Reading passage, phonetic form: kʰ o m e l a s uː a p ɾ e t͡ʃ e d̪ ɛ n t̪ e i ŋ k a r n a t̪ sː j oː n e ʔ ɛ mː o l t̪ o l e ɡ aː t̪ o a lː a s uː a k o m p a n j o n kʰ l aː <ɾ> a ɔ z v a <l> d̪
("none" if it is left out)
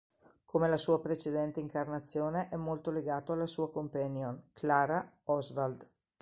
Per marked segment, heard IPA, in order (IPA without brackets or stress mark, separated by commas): ɾ, l